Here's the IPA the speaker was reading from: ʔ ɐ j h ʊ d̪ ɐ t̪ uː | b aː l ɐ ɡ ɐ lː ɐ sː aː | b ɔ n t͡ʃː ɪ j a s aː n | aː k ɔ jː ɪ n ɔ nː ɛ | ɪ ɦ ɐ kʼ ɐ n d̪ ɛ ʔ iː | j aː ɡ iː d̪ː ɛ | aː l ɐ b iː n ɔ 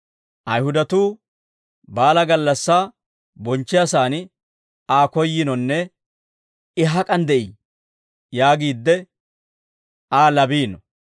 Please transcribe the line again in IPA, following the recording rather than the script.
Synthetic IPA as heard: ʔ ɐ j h ʊ d̪ ɐ t̪ uː | b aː l ɐ ɡ ɐ lː ɐ sː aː | b ɔ n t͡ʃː ɪ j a s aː n | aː k ɔ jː ɪ n ɔ nː ɛ | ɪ ɦ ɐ kʼ ɐ n d̪ ɛ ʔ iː | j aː ɡ iː d̪ː ɛ | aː l ɐ b iː n ɔ